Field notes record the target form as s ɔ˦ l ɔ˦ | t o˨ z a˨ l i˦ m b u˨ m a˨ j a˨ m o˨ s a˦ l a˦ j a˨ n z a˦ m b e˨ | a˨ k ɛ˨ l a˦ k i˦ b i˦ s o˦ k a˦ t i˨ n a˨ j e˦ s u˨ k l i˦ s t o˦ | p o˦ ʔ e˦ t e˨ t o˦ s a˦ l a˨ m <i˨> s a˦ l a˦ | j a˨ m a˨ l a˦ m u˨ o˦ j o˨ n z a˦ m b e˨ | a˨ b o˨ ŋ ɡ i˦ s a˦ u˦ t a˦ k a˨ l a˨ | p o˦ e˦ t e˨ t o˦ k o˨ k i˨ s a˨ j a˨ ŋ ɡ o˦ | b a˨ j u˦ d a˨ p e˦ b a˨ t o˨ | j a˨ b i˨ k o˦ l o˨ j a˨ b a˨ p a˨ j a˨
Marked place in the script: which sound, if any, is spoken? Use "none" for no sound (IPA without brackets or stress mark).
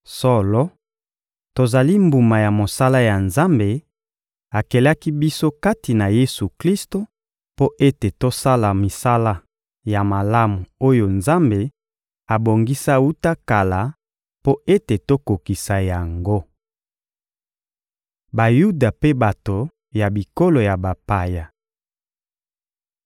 i˨